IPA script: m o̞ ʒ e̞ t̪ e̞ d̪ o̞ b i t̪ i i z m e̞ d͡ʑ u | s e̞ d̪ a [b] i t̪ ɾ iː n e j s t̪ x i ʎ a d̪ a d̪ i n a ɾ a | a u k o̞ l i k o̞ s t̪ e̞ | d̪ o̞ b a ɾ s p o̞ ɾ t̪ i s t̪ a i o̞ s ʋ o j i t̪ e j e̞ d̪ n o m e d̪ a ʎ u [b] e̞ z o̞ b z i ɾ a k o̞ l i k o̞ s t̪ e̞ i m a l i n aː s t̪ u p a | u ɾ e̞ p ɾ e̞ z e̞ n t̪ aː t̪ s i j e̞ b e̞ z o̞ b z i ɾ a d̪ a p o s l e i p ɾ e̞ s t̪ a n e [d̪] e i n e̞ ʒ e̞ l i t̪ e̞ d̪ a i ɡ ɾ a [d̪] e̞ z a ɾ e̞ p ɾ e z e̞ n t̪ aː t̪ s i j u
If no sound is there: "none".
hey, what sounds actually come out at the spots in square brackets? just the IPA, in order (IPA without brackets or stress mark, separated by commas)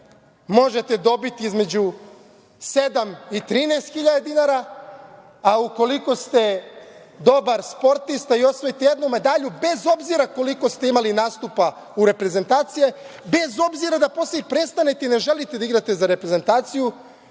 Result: m, b, t̪, t̪